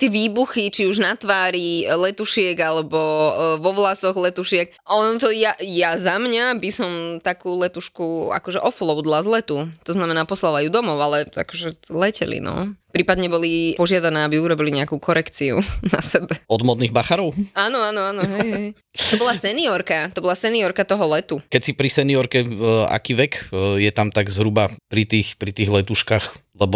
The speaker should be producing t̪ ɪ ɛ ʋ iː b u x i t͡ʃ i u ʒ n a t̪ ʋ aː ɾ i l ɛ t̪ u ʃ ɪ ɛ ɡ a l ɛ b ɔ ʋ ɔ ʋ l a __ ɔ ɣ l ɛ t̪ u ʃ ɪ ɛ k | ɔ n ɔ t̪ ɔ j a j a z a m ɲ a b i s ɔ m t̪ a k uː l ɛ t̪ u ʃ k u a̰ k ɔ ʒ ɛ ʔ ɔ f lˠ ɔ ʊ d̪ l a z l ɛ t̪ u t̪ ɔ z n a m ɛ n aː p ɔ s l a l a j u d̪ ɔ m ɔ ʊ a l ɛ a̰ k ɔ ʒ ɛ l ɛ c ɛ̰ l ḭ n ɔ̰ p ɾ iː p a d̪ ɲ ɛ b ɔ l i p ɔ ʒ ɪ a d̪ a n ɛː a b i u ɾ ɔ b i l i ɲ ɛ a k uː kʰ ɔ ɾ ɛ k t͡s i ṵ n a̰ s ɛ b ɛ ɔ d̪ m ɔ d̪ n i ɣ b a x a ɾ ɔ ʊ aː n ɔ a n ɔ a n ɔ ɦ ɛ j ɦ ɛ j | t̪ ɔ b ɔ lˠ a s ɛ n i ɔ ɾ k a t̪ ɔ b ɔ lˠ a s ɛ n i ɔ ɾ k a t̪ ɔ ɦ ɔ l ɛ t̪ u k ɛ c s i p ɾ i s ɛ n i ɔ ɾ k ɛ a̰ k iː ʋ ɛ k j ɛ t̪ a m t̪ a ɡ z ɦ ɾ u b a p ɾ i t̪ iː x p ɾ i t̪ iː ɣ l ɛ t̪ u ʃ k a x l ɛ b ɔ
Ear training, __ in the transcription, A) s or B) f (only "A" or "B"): A